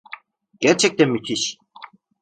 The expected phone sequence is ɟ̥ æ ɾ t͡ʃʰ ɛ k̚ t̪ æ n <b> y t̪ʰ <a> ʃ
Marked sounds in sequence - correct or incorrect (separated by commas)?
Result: incorrect, incorrect